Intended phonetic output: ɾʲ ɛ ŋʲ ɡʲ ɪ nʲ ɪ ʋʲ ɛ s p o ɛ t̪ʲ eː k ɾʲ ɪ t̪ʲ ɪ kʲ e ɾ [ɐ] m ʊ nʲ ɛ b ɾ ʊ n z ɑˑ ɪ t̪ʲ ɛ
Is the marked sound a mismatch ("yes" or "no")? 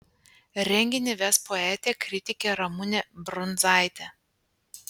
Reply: no